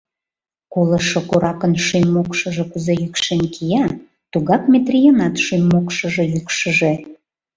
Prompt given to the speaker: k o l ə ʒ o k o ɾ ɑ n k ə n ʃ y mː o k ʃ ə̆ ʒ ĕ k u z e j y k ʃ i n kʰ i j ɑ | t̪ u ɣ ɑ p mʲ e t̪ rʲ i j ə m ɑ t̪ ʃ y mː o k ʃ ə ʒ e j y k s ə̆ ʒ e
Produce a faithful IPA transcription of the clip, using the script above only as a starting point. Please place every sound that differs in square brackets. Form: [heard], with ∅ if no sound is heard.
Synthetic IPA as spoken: k o l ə [ʃ] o k o ɾ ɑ [∅] k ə n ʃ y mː o k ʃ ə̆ ʒ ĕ k u z e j y k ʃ [e] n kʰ i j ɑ | t̪ u ɣ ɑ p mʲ e t̪ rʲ i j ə [n] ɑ t̪ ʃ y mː o k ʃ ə ʒ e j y k [ʃ] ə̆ ʒ e